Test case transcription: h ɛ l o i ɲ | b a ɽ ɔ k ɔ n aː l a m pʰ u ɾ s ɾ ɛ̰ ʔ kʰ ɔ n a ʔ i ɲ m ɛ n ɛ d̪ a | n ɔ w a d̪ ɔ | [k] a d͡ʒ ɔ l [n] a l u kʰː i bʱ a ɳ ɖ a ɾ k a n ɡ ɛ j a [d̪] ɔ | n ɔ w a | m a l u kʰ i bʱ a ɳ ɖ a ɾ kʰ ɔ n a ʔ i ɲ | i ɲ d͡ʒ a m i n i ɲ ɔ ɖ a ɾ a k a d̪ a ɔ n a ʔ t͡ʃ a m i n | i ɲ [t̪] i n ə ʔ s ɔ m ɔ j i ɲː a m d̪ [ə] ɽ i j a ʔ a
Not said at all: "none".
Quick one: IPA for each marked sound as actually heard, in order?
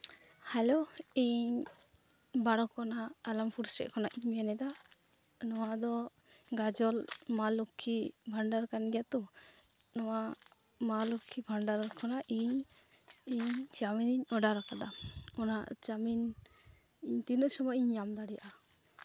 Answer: ɡ, m, t̪, t̪, a

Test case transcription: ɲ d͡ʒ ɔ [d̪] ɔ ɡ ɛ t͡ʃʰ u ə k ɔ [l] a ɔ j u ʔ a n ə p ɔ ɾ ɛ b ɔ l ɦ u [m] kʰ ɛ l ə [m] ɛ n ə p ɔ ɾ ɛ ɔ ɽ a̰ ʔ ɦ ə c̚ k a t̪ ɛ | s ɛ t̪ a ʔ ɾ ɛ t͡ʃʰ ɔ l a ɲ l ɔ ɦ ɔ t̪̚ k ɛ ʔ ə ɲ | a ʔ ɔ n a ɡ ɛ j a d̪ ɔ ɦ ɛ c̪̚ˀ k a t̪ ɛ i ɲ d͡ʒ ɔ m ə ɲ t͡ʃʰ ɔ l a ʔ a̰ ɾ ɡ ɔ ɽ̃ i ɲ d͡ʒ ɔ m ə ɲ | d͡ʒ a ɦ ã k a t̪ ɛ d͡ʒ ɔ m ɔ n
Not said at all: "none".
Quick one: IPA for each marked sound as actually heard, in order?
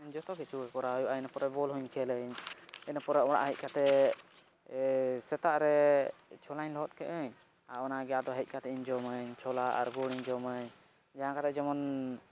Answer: t̪, ɾ, ɲ, ɲ

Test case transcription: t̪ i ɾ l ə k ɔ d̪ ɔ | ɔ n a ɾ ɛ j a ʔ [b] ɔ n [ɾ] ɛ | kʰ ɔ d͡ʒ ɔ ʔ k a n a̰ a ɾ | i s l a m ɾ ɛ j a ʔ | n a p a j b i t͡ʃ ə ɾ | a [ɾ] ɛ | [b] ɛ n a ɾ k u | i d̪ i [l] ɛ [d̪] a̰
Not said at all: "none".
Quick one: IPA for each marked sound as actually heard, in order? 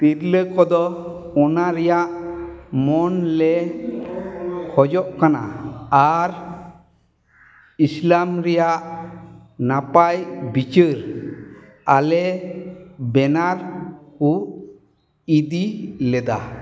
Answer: m, l, l, b, l, d̪

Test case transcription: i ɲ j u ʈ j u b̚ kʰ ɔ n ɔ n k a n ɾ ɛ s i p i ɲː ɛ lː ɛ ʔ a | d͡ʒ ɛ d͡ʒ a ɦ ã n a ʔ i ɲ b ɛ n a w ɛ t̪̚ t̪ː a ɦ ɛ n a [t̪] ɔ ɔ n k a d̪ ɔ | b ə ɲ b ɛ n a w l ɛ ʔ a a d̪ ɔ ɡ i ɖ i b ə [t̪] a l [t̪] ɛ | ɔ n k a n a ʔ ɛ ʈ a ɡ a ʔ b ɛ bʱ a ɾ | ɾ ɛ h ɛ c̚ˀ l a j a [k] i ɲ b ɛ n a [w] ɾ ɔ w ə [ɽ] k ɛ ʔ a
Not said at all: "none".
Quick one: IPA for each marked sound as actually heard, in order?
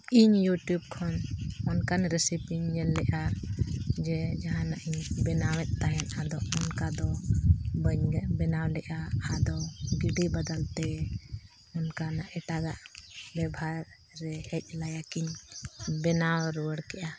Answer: d̪, d̪, t̪, k, w, ɽ

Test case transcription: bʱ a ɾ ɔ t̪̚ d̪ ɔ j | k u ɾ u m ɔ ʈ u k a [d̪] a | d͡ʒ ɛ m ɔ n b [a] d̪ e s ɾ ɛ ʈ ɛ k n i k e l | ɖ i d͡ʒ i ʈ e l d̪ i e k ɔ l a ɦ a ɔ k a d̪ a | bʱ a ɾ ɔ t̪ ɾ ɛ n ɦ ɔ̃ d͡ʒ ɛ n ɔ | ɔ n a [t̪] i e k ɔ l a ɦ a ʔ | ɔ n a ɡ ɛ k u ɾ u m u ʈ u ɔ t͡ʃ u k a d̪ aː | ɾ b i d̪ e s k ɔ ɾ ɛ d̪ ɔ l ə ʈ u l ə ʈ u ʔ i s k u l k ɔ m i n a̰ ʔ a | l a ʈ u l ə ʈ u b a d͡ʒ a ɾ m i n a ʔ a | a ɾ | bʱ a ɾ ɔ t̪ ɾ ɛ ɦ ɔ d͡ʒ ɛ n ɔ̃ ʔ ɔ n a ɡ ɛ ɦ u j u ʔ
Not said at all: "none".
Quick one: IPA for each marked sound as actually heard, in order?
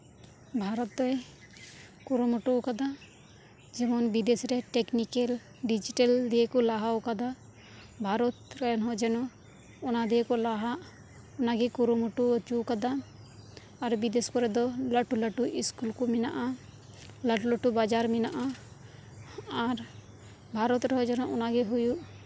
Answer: d̪, i, d̪

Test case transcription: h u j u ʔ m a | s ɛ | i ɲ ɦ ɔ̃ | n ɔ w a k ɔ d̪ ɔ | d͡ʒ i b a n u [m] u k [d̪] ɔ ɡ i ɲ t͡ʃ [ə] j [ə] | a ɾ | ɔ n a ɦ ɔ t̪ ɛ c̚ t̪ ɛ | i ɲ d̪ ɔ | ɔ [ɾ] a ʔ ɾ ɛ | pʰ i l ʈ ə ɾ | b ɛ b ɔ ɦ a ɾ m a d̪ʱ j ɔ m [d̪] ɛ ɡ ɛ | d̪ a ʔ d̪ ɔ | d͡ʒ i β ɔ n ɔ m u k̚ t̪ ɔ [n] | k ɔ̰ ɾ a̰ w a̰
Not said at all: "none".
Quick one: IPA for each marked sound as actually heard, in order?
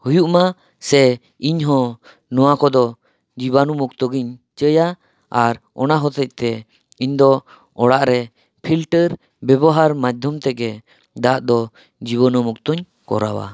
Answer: m, t̪, ə, a, ɽ, t̪, ɲ

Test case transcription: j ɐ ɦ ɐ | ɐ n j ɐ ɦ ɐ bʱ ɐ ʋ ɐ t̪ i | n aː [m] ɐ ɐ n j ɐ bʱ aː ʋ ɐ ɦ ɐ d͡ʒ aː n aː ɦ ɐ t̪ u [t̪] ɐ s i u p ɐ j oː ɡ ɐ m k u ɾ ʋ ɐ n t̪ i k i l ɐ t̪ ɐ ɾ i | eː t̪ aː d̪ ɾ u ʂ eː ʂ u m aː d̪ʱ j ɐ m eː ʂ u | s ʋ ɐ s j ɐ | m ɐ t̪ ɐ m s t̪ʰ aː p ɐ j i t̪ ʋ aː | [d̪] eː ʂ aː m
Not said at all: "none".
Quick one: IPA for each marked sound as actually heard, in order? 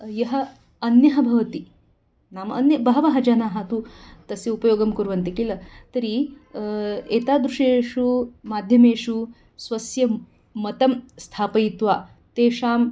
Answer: m, t̪, t̪

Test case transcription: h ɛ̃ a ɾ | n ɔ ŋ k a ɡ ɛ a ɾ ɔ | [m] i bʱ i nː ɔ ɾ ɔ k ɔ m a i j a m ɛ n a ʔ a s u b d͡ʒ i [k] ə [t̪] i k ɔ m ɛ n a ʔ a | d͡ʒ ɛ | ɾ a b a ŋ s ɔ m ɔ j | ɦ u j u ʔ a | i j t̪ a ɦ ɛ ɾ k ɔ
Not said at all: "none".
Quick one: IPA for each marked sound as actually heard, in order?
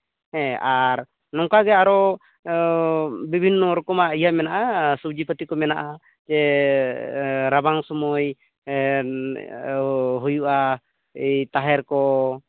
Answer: b, p, t̪

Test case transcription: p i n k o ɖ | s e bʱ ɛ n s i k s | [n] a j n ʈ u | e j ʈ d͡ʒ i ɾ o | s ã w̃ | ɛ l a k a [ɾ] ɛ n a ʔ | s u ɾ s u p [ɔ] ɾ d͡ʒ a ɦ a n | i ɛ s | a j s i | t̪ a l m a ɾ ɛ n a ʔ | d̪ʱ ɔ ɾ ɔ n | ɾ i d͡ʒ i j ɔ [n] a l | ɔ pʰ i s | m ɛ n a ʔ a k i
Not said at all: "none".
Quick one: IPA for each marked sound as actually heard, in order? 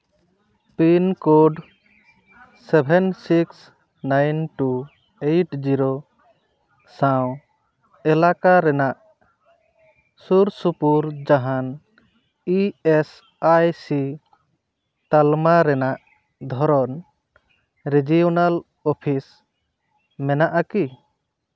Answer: n, ɾ, u, n

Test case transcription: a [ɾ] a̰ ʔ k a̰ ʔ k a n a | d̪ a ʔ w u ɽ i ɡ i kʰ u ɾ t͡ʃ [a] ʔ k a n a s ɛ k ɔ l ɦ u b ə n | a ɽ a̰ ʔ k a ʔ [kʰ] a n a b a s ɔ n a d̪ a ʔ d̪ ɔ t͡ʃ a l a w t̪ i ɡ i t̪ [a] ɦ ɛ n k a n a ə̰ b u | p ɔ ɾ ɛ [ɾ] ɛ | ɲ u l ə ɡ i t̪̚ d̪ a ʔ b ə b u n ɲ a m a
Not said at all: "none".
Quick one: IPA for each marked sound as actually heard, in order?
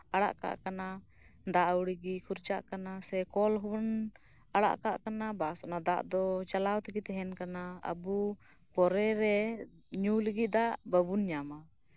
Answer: ɽ, a, k, ɛ, ɾ

